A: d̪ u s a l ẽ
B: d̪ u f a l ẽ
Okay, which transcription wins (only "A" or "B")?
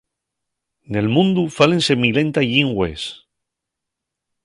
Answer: B